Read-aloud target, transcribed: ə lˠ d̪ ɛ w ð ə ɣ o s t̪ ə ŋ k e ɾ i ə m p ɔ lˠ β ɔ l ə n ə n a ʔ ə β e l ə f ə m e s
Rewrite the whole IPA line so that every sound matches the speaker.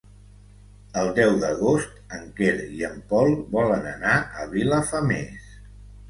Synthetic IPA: ə lˠ d̪ ɛ w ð ə ɣ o s t̪ ə ŋ k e ɾ i ə m p ɔ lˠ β ɔ l ə n ə n a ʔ ə β i l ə f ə m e s